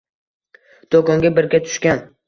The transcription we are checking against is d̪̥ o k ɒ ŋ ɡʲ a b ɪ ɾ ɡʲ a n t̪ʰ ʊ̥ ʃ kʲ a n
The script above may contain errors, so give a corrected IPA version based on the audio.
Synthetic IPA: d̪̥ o k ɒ ŋ ɡʲ a b ɪ ɾ ɡʲ a t̪ʰ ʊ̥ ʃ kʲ a n

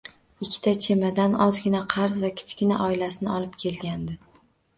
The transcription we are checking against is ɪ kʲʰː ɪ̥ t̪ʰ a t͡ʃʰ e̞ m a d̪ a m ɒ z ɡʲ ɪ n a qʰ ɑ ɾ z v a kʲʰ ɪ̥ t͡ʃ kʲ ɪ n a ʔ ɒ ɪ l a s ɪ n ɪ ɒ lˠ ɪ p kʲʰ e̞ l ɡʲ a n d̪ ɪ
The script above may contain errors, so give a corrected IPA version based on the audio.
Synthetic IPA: ɪ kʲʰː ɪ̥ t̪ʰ a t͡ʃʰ e̞ m a d̪ a n ɒ z ɡʲ ɪ n a qʰ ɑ ɾ z v a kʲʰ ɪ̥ t͡ʃ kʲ ɪ n a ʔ ɒ ɪ l a s ɪ n ɪ ɒ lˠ ɪ p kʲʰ e̞ l ɡʲ a n d̪ ɪ

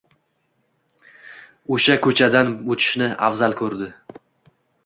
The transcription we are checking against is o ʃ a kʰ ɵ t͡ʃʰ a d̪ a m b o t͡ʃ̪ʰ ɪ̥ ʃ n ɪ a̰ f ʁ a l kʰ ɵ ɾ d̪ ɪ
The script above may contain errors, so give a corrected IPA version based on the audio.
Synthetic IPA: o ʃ a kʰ ɵ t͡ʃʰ a d̪ a n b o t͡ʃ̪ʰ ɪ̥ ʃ n ɪ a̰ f z a l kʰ ɵ ɾ d̪ ɪ

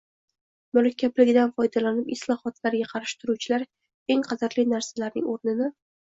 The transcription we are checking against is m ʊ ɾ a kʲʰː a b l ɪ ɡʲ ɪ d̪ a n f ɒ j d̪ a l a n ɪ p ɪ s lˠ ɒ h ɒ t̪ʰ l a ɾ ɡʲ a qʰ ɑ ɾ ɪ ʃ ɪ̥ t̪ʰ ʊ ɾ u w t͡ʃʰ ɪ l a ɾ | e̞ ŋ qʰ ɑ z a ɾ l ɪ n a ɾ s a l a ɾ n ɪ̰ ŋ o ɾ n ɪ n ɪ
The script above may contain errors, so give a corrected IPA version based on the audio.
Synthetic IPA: m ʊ ɾ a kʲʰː a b l ɪ ɡʲ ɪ d̪ a n f ɒ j d̪ a l a n ɪ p ɪ s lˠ ɒ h ɒ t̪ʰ l a ɾ ɡʲ a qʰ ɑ ɾ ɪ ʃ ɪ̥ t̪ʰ ʊ ɾ u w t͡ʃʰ ɪ l a ɾ | e̞ ŋ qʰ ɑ z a ɾ l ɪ n a ɾ s a l a ɾ n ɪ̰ ŋ o ɾ n ɪ n ɪ

